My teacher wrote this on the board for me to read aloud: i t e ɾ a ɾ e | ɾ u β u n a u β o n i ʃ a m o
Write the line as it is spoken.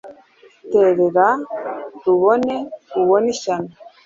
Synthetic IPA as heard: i t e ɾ e ɾ a | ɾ u β o n e u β o n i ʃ a n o